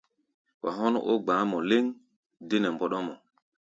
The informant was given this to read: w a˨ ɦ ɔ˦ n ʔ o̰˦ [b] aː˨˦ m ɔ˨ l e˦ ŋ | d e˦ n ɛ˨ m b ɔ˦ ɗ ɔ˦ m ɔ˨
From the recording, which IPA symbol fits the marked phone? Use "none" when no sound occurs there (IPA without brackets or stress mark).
ɡ͡b